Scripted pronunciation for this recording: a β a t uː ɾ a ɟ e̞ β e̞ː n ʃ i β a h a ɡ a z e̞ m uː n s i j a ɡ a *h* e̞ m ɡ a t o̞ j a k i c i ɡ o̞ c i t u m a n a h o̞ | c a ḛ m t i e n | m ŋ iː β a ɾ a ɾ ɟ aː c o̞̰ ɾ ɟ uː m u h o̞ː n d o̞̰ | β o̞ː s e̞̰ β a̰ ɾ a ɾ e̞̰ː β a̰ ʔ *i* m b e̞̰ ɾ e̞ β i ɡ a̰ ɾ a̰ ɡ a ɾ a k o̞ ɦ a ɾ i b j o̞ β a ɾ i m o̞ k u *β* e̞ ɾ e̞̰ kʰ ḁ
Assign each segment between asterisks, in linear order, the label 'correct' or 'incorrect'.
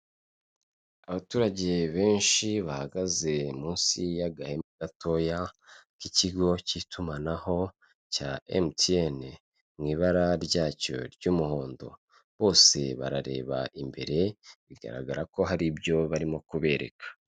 correct, correct, correct

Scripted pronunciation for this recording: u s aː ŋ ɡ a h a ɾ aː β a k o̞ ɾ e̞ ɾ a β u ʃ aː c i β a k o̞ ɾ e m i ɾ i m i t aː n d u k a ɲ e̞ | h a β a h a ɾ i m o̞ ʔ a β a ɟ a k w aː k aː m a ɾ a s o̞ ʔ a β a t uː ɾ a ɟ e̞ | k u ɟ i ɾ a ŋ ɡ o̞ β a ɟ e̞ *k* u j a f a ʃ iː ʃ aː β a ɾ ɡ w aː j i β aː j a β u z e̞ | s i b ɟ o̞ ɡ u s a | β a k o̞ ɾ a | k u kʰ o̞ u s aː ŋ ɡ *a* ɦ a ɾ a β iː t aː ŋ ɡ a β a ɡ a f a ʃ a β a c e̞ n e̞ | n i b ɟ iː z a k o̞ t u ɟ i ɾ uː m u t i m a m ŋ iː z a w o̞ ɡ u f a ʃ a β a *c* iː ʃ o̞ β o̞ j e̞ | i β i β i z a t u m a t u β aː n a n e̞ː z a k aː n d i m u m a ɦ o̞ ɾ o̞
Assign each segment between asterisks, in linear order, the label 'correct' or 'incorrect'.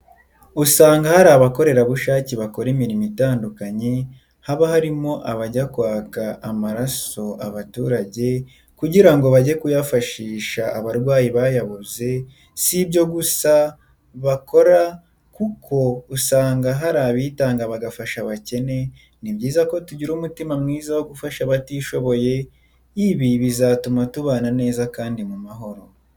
correct, correct, incorrect

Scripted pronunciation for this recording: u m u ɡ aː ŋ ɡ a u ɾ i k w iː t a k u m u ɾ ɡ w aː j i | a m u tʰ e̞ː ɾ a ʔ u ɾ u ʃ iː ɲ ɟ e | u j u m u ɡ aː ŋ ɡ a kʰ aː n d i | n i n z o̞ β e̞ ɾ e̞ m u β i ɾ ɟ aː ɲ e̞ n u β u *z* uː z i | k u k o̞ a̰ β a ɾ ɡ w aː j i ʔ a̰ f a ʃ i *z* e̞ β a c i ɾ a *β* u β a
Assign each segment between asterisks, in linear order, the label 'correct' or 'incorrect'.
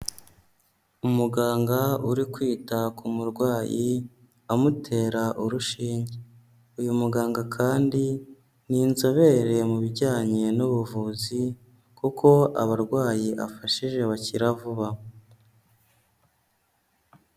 incorrect, incorrect, incorrect

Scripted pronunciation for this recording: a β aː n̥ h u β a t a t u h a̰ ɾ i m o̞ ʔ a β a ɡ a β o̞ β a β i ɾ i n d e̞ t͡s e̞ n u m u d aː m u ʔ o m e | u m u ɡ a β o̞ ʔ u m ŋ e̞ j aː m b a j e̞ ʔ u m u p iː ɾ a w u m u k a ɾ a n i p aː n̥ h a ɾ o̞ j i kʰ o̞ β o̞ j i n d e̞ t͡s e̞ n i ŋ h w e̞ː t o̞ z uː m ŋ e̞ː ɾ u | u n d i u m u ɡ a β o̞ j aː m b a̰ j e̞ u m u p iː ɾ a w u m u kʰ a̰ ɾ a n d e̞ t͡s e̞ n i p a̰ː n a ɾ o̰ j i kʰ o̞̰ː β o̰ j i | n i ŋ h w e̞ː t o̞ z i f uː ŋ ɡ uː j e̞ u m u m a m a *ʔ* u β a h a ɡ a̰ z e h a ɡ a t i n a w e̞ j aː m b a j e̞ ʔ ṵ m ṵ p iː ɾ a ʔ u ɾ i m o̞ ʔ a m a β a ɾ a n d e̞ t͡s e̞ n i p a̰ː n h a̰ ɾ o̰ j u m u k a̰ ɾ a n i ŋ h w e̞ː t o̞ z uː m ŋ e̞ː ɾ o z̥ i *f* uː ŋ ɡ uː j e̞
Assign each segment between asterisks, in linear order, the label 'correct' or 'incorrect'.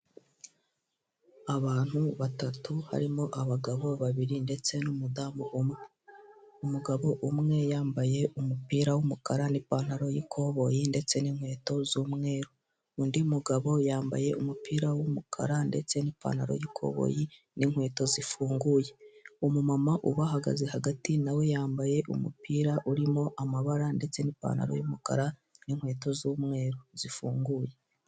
correct, correct

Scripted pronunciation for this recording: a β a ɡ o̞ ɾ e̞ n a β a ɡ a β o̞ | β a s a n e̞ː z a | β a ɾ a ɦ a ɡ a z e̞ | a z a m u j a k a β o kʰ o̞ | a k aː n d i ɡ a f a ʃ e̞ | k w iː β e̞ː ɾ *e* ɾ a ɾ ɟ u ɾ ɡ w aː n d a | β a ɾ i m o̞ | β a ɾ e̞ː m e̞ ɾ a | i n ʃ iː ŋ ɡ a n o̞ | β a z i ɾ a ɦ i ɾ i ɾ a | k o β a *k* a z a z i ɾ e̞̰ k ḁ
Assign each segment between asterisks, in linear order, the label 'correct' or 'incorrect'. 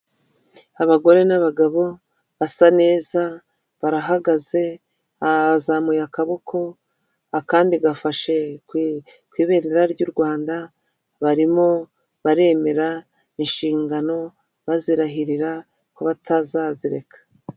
correct, incorrect

